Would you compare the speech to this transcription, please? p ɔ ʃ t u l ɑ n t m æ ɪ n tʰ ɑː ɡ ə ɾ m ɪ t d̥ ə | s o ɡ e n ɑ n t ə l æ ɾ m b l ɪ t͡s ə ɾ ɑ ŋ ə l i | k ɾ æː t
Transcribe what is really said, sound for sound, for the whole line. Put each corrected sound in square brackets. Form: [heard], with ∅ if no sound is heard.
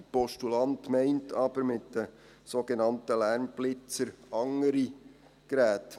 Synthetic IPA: p ɔ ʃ t u l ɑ n t m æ ɪ n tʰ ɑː [b] ə ɾ m ɪ t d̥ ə | s o ɡ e n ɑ n t ə l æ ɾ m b l ɪ t͡s ə ɾ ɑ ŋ ə [ɾ] i | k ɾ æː t